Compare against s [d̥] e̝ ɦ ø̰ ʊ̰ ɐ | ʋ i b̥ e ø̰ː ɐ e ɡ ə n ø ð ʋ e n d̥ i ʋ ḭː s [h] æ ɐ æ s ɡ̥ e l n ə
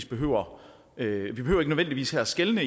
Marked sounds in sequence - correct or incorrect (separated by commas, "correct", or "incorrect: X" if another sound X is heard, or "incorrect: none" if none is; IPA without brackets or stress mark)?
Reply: incorrect: b̥, correct